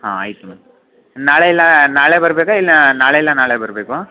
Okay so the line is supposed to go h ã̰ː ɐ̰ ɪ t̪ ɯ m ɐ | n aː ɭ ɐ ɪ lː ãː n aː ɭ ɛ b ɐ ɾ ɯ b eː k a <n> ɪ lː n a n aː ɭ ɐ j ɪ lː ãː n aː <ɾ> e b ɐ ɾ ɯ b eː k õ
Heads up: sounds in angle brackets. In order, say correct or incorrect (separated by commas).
incorrect, incorrect